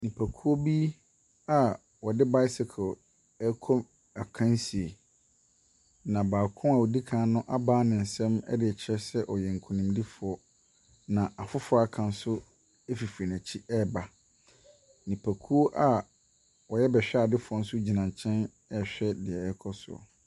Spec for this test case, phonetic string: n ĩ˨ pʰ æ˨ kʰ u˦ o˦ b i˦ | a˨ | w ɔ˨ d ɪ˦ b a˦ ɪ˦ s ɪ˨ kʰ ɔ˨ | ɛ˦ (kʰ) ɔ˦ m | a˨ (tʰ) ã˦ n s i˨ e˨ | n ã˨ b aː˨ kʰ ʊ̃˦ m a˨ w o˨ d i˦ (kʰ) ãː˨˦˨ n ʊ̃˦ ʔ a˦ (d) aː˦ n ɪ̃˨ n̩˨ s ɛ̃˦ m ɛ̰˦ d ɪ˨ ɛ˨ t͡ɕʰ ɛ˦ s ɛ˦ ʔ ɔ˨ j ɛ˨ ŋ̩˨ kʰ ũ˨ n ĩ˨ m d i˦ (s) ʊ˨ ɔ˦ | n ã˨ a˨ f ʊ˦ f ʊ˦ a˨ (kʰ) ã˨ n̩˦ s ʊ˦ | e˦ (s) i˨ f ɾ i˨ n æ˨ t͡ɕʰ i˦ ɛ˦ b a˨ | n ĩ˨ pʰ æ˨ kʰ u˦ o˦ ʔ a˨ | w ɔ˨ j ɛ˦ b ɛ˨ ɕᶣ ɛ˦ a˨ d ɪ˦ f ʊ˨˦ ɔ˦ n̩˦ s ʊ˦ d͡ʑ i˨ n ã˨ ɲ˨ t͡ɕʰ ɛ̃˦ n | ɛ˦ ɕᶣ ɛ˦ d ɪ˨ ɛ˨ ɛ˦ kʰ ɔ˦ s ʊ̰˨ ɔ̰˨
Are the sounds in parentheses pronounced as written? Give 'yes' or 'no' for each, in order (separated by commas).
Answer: yes, no, yes, no, no, yes, no